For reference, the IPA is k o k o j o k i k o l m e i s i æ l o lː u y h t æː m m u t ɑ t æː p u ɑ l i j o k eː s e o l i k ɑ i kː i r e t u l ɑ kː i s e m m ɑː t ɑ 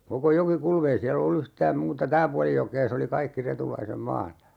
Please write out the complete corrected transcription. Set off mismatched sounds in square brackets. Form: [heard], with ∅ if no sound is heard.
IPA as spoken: k o k o j o k i k [u] l m e i s i æ l o lː u y h t æː m m [uː] t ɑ t æː p u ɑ l i j o k eː s e o l i k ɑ i kː i r e t u l ɑ [∅] i s e m m ɑː t ɑ